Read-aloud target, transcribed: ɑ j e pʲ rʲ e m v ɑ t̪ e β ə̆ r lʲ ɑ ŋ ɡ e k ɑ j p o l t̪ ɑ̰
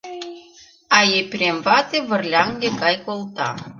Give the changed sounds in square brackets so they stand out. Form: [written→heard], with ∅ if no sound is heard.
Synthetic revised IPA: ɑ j e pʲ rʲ e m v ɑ t̪ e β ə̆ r lʲ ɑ ŋ ɡ e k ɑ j [p→k] o l t̪ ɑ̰